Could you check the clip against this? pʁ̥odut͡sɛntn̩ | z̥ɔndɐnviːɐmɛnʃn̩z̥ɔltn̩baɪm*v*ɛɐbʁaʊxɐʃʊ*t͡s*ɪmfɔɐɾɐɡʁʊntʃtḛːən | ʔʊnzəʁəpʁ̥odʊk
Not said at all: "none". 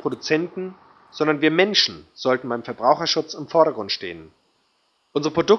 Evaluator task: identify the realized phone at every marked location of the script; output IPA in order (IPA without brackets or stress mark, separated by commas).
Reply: f, t͡s